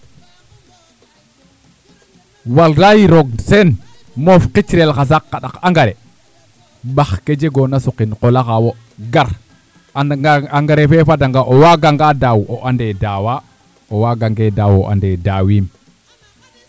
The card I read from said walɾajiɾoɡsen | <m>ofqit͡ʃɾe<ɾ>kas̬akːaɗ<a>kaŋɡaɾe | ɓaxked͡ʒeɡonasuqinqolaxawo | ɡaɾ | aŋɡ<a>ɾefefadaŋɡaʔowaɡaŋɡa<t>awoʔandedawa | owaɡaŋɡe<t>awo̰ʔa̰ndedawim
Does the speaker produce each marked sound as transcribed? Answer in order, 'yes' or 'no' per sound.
yes, no, yes, yes, no, no

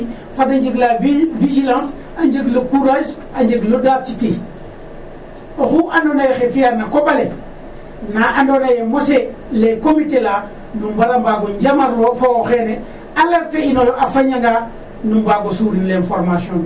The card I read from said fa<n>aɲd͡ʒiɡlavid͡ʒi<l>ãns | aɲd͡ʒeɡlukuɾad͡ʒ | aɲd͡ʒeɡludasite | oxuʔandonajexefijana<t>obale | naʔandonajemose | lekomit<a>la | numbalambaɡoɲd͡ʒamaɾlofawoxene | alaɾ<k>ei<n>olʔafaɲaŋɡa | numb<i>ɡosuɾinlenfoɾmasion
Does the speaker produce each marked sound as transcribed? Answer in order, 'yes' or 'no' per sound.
no, yes, no, no, no, yes, no

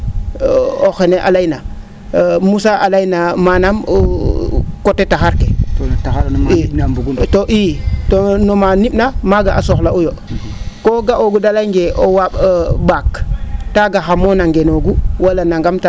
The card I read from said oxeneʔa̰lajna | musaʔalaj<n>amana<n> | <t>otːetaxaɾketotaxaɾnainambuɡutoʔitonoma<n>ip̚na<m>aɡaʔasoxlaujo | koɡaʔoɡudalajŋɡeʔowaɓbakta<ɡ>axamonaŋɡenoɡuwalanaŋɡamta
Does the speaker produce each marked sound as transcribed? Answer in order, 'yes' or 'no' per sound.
yes, no, no, yes, yes, yes

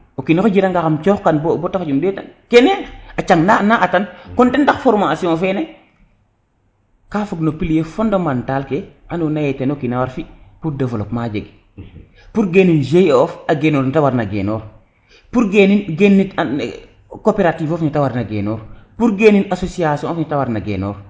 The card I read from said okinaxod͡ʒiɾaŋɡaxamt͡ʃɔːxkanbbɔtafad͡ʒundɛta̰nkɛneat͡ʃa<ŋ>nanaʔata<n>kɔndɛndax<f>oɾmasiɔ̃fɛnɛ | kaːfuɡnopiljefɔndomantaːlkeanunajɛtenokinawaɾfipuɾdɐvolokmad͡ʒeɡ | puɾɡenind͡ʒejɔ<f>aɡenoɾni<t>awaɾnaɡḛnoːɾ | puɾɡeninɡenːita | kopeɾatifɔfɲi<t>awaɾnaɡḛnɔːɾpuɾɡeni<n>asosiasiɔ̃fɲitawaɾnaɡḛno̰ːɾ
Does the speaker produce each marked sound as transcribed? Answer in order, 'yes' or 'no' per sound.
yes, yes, yes, yes, yes, yes, yes

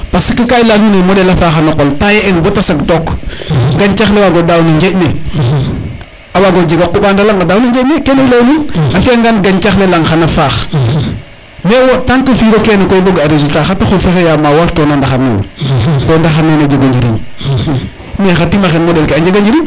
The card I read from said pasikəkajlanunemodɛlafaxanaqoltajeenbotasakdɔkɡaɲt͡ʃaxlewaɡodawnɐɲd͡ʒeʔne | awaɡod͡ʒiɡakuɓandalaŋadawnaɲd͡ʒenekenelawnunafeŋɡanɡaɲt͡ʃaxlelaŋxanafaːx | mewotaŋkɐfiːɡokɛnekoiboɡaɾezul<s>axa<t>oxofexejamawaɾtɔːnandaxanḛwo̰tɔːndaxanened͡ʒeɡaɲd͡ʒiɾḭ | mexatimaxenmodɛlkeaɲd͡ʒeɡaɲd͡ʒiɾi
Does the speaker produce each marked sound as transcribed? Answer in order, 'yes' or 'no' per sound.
no, yes

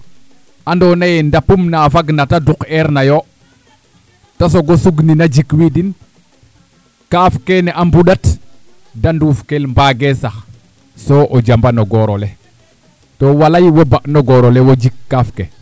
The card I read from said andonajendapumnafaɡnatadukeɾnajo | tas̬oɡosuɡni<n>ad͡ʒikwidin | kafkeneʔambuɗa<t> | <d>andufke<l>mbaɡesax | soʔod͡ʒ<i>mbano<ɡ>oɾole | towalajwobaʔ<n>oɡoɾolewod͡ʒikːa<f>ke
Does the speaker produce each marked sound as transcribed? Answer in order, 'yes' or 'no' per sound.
yes, yes, yes, yes, no, yes, yes, yes

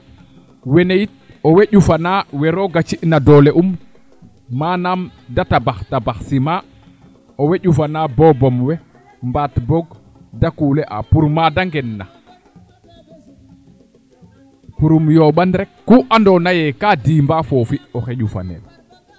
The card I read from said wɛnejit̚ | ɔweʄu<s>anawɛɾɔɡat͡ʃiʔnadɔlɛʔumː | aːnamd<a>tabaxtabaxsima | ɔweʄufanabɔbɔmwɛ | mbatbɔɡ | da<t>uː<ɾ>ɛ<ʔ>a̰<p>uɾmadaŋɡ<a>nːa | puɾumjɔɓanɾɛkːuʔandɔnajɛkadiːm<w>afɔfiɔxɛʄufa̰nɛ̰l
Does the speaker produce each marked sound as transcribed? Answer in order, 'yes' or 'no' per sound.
no, yes, no, no, yes, yes, no, no

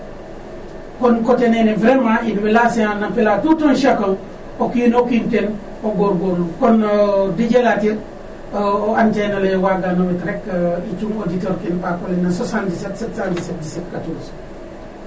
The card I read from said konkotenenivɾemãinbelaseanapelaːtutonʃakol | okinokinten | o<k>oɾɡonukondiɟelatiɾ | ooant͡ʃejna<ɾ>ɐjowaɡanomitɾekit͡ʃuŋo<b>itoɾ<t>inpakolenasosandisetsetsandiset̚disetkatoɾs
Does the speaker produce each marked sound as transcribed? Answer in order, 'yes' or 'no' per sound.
no, no, no, no

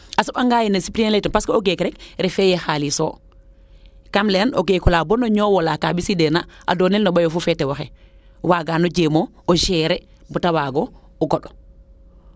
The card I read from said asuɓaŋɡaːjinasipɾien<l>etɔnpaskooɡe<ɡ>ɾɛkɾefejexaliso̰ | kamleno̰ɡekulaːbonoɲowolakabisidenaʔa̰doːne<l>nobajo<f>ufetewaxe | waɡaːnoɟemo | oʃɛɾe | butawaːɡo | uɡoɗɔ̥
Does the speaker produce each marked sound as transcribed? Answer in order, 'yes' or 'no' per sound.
yes, no, yes, yes

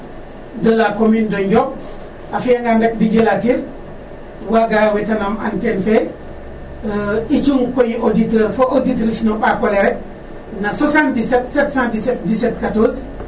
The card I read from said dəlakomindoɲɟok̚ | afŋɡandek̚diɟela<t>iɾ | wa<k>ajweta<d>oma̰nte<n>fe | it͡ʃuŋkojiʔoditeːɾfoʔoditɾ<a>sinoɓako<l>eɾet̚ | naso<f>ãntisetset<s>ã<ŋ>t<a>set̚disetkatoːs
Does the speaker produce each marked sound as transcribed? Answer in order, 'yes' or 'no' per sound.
yes, no, no, yes, no, yes, no, yes, no, no

